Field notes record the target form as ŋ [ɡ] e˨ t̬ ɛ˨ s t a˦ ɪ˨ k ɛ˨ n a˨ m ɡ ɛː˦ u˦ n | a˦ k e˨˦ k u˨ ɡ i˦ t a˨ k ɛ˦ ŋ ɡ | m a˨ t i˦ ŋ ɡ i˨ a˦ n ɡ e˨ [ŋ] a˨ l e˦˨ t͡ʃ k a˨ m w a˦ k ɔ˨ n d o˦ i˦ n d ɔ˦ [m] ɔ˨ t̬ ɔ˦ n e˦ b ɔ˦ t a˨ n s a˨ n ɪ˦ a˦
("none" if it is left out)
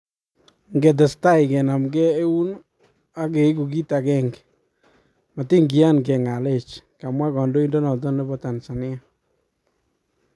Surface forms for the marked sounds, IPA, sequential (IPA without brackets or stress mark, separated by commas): ɡ, ŋ, n